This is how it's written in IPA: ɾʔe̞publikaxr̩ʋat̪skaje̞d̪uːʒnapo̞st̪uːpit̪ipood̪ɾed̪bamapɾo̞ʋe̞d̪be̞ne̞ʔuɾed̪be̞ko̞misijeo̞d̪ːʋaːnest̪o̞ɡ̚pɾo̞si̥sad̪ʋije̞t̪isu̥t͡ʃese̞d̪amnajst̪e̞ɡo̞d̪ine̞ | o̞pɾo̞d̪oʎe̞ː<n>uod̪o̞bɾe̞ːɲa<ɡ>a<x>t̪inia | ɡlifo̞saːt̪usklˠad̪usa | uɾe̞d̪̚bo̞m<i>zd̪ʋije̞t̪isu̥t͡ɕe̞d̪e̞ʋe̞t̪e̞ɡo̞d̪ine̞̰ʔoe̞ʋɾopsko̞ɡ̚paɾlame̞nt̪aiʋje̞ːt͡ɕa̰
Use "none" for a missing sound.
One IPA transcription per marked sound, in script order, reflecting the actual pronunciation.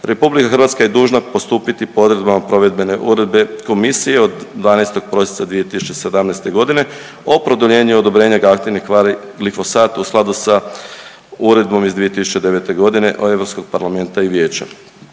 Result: ɲ, ɡ, k, i

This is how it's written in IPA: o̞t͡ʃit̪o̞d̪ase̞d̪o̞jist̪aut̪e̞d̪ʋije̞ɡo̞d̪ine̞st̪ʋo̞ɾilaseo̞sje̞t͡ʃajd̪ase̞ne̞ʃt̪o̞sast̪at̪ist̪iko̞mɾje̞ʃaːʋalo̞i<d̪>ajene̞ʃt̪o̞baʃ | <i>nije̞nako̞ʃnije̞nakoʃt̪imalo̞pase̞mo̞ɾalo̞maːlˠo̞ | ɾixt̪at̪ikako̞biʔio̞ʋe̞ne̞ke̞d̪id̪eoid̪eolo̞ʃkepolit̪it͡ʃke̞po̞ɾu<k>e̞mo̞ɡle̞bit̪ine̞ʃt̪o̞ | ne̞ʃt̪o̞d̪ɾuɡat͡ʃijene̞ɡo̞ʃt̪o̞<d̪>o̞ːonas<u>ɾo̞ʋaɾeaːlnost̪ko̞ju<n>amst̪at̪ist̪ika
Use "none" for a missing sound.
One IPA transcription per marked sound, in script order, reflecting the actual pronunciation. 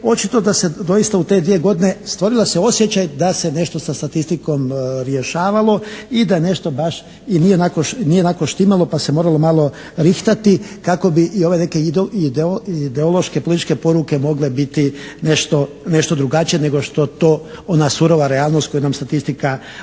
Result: d̪, i, k, t̪, u, n

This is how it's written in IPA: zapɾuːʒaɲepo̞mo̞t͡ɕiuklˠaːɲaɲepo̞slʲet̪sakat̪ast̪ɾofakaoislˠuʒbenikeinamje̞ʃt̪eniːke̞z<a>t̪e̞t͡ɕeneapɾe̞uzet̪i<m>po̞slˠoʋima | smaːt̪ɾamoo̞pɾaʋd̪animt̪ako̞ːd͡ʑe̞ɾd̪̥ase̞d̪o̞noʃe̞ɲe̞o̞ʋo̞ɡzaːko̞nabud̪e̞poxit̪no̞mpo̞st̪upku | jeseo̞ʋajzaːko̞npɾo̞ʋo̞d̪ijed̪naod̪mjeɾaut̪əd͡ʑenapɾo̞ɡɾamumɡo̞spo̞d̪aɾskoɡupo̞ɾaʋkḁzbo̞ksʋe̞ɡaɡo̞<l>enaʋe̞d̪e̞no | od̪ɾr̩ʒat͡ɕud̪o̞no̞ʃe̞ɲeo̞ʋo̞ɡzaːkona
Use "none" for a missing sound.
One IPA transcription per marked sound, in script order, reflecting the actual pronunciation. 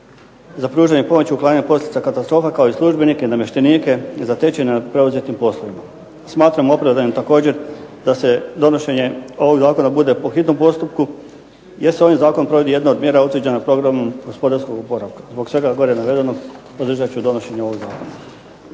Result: a, m, ɾ

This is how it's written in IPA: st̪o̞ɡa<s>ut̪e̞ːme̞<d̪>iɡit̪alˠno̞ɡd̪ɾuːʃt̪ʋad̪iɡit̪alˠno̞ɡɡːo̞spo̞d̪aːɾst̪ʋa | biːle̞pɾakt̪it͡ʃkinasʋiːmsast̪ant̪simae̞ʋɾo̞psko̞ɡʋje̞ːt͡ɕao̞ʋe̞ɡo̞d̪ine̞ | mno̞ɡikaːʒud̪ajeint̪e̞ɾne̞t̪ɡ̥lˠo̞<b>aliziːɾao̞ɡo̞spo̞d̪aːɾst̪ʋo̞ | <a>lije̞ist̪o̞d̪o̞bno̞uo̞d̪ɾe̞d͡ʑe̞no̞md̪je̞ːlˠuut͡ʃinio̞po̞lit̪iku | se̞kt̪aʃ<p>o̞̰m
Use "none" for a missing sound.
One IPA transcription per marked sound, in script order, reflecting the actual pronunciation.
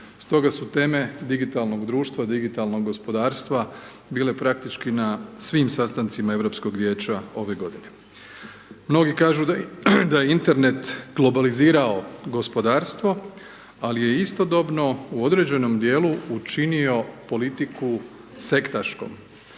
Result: s, d̪, b, a, k

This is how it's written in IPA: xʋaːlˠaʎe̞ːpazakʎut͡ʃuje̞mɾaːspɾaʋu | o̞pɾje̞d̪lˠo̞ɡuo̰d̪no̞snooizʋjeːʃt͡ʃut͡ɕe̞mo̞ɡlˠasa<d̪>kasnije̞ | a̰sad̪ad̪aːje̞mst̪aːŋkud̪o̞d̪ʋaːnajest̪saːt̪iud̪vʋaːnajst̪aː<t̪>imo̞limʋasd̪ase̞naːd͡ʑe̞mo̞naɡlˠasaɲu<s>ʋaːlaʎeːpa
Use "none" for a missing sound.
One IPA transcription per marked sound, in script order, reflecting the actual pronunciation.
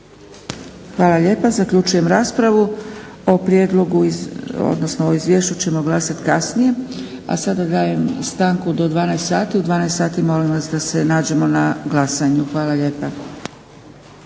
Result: t̪, t̪, x

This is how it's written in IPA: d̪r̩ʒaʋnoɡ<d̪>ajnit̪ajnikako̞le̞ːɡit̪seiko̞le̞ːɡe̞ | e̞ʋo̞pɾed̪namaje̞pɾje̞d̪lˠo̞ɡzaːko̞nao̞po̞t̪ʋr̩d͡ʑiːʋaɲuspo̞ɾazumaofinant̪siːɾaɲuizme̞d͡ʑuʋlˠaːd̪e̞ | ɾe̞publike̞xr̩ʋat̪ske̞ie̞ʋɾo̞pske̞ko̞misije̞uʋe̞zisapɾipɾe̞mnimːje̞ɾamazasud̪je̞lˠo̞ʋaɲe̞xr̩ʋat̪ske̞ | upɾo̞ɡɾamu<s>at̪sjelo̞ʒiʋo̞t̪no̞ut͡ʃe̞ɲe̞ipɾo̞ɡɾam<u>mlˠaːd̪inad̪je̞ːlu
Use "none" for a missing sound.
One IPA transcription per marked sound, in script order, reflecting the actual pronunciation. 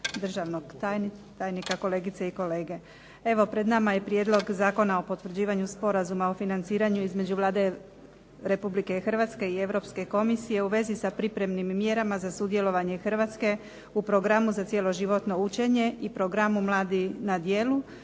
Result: t̪, z, u

